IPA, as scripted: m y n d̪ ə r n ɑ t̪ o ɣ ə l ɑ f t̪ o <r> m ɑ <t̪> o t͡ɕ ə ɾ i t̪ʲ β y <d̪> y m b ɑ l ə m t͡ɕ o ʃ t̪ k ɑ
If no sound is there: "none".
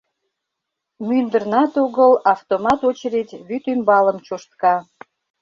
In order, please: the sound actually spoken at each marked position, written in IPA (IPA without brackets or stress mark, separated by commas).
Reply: none, t̪, t̪